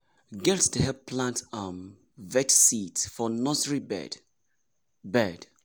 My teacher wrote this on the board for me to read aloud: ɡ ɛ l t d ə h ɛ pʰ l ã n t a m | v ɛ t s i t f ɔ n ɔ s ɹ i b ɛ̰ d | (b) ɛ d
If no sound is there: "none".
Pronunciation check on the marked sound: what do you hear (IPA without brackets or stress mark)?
b